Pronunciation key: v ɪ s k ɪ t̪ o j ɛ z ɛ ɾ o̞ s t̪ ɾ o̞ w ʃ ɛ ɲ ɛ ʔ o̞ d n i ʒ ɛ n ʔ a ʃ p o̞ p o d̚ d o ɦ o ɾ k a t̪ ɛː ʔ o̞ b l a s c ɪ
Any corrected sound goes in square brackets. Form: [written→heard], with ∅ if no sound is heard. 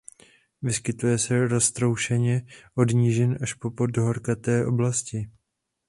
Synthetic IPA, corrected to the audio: v ɪ s k ɪ t̪ [o→u] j ɛ [z→s] ɛ ɾ o̞ s t̪ ɾ o̞ w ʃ ɛ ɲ ɛ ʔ o̞ d [n→ɲ] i ʒ ɛ n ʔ a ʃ p o̞ p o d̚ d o ɦ o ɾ k a t̪ ɛː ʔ o̞ b l a s c ɪ